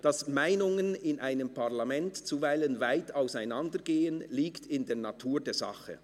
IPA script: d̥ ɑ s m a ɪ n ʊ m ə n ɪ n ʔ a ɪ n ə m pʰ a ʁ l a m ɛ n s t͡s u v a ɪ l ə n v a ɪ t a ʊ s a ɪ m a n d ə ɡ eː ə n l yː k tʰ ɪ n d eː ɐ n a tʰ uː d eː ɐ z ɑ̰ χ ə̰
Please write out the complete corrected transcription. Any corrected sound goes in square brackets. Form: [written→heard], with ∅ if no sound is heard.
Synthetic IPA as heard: d̥ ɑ s m a ɪ n ʊ [m→ŋ] ə n ɪ n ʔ a ɪ n ə m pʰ a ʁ l a m ɛ n [s→t] t͡s u v a ɪ l ə n v a ɪ t a ʊ s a ɪ [m→n] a n d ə ɡ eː ə n l [yː→iː] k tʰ ɪ n d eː ɐ n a tʰ uː d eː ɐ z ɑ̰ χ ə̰

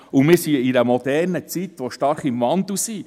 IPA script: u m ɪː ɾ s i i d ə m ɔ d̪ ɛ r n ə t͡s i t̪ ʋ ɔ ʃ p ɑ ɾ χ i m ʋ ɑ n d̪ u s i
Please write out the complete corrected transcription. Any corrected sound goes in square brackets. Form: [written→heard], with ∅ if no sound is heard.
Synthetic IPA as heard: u m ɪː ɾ s i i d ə m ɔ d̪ ɛ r n ə t͡s i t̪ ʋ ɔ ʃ [p→t] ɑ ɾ χ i m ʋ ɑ n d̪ u s i

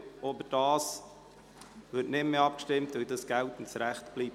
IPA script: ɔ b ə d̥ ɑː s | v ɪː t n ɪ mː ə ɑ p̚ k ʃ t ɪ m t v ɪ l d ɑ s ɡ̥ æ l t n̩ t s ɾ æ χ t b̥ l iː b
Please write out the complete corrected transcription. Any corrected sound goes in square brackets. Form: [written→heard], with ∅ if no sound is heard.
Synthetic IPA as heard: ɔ b ə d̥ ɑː s | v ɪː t n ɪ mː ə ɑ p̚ k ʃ t ɪ m t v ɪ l d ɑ s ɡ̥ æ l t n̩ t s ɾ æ χ t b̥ l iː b

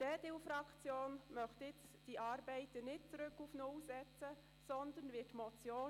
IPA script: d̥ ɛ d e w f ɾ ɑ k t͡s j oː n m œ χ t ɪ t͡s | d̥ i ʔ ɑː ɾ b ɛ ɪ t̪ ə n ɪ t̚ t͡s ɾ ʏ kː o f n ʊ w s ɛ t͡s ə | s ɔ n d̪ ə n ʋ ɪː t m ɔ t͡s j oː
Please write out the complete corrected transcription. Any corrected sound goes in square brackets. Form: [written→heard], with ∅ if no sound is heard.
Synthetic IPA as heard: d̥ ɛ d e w f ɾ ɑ k t͡s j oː n m œ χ t ɪ t͡s | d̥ i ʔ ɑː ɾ b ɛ ɪ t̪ ə n ɪ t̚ t͡s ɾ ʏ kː [o→u] f n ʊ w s ɛ t͡s ə | s ɔ n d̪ ə n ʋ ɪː t m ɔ t͡s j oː

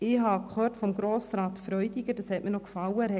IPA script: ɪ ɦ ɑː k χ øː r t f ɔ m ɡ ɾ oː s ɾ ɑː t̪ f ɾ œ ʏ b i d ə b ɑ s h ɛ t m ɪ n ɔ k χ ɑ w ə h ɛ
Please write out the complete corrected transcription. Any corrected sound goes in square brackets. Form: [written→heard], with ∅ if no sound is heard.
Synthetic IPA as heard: ɪ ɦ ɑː k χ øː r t f ɔ m ɡ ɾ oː s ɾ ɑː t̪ f ɾ œ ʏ [b→d] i [d→ɡ] ə [b→d] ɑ s h ɛ t m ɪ n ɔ k [χ→f] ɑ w ə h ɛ

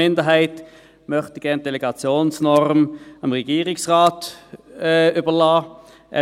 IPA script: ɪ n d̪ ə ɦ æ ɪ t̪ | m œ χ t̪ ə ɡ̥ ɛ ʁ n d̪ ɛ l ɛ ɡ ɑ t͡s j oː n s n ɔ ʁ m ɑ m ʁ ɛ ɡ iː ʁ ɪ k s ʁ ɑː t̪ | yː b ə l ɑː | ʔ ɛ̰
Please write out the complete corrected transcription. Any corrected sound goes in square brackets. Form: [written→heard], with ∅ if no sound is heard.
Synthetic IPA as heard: ɪ n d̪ ə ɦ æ ɪ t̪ | m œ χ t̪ ə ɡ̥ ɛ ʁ n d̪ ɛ l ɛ ɡ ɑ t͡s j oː n s n ɔ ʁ m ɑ m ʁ ɛ ɡ iː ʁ ɪ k s ʁ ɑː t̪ | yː b ə l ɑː | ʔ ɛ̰

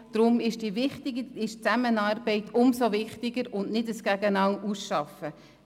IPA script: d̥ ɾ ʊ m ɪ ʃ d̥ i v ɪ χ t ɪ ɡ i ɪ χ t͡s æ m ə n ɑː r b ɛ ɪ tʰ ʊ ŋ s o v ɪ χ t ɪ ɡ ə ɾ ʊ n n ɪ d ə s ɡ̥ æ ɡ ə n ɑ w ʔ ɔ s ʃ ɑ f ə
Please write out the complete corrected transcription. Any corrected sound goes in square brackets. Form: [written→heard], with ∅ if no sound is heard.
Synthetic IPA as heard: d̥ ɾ ʊ m ɪ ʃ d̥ i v ɪ χ t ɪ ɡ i ɪ [χ→ʃ] t͡s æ m ə n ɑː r b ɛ ɪ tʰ ʊ [ŋ→m] s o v ɪ χ t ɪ ɡ ə ɾ ʊ n n ɪ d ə s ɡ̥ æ ɡ ə n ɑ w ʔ [ɔ→u] s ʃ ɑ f ə

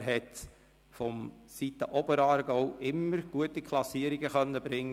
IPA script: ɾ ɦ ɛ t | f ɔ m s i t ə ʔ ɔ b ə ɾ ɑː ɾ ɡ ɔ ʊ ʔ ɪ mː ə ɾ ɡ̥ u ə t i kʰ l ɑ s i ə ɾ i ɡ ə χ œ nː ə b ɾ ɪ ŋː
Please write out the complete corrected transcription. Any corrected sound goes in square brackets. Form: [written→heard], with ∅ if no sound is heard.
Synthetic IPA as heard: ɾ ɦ ɛ t | f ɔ m s i t ə ʔ ɔ b ə ɾ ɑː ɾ ɡ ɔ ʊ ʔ ɪ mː ə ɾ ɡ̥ u ə t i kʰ l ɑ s i ə ɾ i ɡ ə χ œ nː ə b ɾ ɪ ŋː

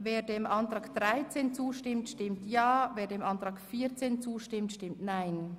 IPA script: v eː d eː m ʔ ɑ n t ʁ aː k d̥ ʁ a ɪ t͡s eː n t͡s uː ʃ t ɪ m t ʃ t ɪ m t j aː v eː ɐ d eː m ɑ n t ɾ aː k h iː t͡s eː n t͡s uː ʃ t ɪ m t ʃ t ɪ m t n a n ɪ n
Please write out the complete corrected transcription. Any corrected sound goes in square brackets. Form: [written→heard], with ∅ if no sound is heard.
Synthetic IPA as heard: v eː d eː m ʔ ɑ n t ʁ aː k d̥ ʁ a ɪ t͡s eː n t͡s uː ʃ t ɪ m t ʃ t ɪ m t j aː v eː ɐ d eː m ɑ n t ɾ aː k [h→f] iː t͡s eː n t͡s uː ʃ t ɪ m t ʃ t ɪ m t n a [n→∅] ɪ n

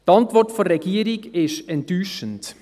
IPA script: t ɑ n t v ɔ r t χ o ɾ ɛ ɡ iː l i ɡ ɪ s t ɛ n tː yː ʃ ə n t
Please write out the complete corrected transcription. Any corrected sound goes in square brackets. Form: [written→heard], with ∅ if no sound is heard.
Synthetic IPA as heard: t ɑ n t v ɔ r t [χ→f] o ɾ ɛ ɡ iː [l→ɾ] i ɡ ɪ [s→ʃ] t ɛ n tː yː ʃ ə n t

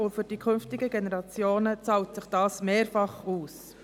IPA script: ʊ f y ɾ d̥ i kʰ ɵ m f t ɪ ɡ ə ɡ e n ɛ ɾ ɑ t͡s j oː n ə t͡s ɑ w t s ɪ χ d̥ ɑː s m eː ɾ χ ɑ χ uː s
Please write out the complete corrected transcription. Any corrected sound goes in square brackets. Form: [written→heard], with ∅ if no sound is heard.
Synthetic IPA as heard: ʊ f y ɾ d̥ i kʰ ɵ [m→n] f t ɪ ɡ ə ɡ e n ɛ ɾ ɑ t͡s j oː n ə t͡s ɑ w t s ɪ χ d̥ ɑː s m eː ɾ [χ→f] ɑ χ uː s

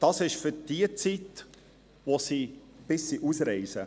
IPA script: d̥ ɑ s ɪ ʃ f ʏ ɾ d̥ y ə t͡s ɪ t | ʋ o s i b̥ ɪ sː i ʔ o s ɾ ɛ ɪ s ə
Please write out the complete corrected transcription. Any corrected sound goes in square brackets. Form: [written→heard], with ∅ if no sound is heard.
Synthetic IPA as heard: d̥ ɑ s ɪ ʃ f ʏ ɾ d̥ [y→i] ə t͡s [ɪ→i] t | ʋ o s i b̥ ɪ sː i ʔ [o→u] s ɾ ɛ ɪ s ə

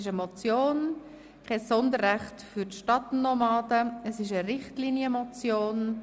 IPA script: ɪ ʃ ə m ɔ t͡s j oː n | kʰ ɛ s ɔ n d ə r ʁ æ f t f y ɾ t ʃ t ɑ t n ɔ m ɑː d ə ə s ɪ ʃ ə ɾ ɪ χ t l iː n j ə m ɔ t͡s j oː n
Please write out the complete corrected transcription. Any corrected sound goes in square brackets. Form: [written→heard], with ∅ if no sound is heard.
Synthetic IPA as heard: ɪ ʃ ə m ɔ t͡s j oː n | kʰ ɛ s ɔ n d ə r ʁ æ [f→χ] t f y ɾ t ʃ t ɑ t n ɔ m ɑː d ə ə s ɪ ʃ ə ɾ ɪ χ t l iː n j ə m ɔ t͡s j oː n

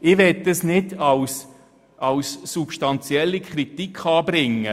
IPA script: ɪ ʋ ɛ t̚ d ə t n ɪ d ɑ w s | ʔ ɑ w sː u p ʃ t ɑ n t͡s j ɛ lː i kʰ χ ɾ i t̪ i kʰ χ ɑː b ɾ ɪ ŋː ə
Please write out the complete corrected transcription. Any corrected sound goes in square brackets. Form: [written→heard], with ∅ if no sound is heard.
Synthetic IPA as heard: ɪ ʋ ɛ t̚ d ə [t→s] n ɪ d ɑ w s | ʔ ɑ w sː u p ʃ t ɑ n t͡s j ɛ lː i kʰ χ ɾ i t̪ i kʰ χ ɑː b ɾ ɪ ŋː ə

